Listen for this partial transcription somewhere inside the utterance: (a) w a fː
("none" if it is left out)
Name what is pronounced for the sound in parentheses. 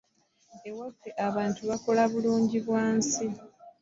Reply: e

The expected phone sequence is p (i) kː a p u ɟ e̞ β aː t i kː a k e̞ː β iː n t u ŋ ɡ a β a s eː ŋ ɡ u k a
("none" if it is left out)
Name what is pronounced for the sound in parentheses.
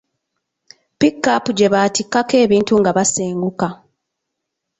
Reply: i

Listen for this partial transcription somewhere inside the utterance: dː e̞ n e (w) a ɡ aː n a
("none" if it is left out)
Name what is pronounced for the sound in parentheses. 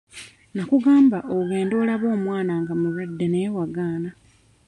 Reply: w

